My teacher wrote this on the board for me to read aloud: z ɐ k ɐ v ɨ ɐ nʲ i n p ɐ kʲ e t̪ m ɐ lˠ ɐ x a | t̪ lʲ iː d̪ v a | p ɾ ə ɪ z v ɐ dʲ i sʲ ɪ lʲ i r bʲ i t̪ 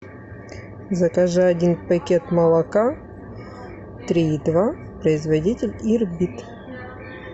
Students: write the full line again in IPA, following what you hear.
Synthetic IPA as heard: z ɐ k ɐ ʐ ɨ ɐ dʲ i n p ɐ kʲ e t̪ m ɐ lˠ ɐ k a | t̪ ɾʲ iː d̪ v a | p ɾ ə ɪ z v ɐ dʲ i tʲ ɪ lʲ i r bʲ i t̪